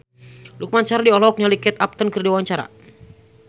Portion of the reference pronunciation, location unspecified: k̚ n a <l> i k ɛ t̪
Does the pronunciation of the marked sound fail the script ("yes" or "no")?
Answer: no